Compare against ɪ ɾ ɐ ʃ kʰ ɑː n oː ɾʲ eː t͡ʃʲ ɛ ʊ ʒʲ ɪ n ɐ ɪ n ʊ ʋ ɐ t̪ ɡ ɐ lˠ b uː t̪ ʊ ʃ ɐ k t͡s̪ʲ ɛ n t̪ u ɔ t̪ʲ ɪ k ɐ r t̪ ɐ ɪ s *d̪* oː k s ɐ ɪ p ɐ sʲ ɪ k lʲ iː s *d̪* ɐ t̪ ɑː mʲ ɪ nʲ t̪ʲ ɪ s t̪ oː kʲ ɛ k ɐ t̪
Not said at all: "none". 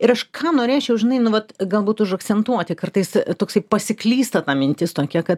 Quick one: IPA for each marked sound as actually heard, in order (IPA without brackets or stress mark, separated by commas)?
t̪, t̪